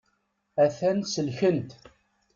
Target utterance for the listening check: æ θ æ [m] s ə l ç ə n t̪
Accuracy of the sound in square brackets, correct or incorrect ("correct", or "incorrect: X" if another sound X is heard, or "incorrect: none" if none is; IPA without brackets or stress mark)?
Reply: incorrect: n